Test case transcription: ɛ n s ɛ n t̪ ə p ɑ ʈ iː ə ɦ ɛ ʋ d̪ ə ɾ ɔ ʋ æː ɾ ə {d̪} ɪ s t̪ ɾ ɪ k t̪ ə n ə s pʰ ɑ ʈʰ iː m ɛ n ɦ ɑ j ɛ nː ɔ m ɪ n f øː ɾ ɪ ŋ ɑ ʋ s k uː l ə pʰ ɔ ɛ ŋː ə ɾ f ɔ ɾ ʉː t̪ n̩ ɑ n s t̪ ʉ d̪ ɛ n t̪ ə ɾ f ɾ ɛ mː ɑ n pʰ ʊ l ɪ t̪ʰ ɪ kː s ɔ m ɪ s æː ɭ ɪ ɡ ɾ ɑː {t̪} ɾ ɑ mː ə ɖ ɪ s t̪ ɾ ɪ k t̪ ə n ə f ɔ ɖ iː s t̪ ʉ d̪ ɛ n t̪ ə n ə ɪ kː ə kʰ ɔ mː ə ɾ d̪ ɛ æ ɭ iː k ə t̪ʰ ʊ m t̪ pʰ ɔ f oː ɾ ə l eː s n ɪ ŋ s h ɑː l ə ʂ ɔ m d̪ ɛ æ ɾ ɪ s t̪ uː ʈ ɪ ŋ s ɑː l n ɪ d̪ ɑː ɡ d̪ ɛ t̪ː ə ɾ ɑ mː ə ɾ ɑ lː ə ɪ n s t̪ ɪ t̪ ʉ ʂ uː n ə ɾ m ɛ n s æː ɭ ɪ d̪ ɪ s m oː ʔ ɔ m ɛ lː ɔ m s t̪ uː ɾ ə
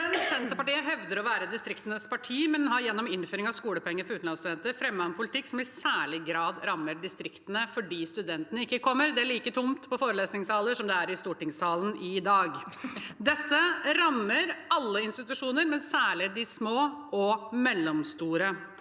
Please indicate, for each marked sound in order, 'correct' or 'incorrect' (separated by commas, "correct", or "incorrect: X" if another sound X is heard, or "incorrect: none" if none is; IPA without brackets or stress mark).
correct, incorrect: d̪